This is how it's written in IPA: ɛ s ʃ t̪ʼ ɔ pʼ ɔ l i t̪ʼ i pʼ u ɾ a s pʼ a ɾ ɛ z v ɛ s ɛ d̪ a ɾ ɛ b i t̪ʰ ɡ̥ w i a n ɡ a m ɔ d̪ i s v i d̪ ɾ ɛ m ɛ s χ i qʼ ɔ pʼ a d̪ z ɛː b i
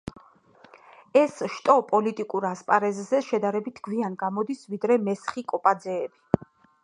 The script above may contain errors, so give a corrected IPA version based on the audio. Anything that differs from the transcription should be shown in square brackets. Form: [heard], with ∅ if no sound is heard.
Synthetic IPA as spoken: ɛ s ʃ t̪ʼ ɔ pʼ ɔ l i t̪ʼ i [kʼ] u ɾ a s pʼ a ɾ ɛ z [z] ɛ [ʃ] ɛ d̪ a ɾ ɛ b i t̪ʰ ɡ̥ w i a n ɡ a m ɔ d̪ i s v i d̪ ɾ ɛ m ɛ s χ i [kʼ] ɔ pʼ a d̪ z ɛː b i